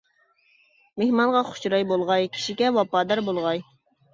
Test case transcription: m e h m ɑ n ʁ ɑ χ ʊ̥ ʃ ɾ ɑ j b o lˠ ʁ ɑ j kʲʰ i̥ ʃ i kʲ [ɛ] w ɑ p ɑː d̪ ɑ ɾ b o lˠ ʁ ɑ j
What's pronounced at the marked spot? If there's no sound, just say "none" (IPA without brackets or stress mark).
ɛ